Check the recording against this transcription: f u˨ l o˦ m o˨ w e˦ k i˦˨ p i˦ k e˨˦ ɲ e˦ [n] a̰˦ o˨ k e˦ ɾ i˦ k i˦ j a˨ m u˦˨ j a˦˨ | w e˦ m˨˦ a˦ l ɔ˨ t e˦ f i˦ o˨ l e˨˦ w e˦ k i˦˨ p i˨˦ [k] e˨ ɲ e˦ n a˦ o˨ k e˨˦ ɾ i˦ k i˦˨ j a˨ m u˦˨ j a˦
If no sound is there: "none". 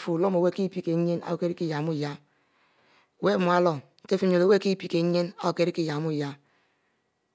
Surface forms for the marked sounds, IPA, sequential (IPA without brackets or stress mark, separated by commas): n, k